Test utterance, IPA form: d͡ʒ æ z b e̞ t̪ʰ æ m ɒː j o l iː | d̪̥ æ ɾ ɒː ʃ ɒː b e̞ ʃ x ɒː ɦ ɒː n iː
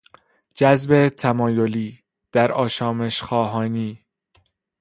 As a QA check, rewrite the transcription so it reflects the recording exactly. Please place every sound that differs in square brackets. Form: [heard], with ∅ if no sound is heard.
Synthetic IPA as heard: d͡ʒ æ z b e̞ t̪ʰ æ m ɒː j o l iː | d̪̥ æ ɾ ɒː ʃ ɒː [m] e̞ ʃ x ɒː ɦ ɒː n iː